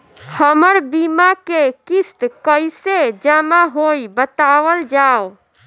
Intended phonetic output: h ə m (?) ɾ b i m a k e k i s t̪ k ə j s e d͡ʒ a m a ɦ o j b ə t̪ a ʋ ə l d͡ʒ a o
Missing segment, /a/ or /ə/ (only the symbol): ə